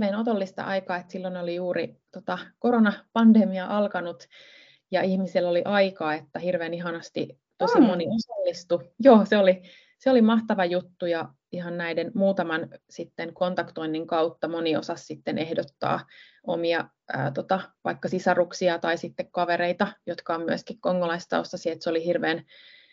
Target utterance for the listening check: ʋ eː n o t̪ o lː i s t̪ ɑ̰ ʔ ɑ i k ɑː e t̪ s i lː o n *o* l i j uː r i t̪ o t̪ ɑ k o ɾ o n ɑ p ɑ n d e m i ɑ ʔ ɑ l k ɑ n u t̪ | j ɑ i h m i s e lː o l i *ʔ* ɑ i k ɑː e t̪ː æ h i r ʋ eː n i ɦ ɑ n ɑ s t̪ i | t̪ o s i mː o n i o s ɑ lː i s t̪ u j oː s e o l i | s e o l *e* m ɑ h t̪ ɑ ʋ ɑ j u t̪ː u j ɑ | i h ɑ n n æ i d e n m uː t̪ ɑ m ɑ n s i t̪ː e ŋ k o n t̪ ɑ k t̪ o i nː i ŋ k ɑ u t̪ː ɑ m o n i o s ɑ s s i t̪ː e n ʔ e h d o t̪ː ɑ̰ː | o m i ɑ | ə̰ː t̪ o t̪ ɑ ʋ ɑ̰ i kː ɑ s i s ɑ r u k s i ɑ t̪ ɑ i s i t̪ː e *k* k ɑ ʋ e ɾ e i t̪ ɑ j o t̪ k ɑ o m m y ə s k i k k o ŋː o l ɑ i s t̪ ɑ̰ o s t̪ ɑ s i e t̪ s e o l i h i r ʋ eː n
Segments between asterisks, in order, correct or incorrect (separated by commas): correct, correct, incorrect, correct